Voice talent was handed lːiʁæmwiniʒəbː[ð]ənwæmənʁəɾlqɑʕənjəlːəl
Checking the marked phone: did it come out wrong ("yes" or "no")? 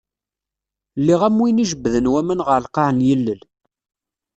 no